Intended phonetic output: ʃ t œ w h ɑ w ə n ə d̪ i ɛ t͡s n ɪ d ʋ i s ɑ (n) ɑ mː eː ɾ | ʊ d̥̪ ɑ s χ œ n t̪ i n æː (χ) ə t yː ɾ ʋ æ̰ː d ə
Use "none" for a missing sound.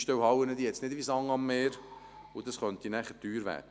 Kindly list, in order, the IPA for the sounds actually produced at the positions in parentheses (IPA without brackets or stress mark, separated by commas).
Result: ŋ, χ